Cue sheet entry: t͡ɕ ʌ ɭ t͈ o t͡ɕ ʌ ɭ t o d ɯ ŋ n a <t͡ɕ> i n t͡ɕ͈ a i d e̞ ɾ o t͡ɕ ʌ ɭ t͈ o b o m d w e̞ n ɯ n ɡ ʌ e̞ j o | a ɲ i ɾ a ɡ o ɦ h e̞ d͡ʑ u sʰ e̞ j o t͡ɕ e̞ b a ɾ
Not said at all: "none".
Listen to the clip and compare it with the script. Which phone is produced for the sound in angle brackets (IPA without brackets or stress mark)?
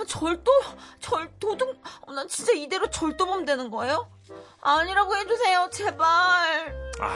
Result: t͡ɕ